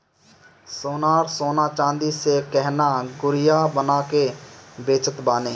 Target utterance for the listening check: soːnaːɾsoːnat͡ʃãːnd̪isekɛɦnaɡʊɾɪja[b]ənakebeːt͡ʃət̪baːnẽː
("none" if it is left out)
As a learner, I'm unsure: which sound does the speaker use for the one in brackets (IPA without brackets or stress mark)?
b